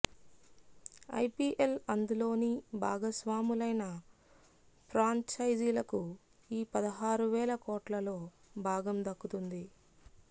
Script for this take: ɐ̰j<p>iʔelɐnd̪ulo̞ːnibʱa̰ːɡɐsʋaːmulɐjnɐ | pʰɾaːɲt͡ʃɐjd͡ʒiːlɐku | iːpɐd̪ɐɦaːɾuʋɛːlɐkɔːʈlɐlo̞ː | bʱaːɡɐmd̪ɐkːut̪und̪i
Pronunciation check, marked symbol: correct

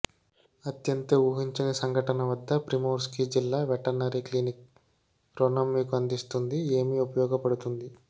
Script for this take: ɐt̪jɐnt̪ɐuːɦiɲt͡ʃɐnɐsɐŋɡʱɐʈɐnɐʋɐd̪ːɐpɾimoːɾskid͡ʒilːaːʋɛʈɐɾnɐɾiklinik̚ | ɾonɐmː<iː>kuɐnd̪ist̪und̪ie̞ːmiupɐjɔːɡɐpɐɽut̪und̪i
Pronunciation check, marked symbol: correct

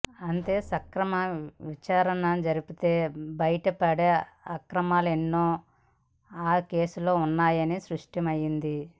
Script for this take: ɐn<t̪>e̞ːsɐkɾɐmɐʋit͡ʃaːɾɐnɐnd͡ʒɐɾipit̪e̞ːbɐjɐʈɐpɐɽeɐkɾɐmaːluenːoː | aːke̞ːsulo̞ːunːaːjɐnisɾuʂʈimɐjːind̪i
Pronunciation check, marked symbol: correct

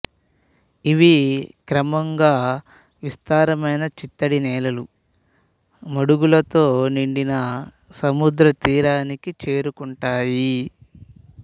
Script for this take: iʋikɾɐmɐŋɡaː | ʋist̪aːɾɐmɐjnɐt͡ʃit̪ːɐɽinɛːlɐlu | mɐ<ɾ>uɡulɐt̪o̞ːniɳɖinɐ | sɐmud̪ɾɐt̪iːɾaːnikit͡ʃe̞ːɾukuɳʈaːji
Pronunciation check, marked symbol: incorrect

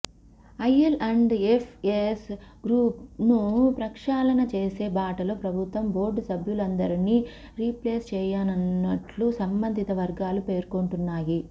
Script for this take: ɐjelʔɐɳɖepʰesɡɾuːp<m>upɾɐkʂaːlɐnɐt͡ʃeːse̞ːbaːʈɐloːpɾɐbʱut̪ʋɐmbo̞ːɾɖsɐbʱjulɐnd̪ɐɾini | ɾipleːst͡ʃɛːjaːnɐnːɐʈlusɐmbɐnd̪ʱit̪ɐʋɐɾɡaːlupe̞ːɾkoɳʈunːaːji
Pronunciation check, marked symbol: incorrect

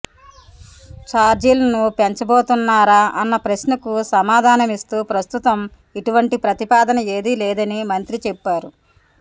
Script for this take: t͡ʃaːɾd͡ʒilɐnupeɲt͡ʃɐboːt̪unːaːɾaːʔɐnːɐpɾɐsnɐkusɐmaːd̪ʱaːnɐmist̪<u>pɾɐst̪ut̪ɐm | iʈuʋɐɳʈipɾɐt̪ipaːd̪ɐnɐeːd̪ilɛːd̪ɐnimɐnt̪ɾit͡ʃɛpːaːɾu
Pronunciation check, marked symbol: incorrect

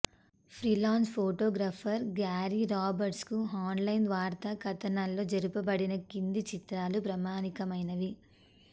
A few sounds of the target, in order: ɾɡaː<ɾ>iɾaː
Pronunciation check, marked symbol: correct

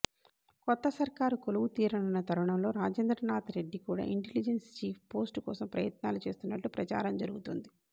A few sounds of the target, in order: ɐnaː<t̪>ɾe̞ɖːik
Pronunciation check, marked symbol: correct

